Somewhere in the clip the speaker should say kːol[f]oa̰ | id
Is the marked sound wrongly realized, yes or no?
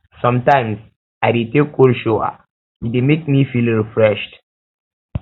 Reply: yes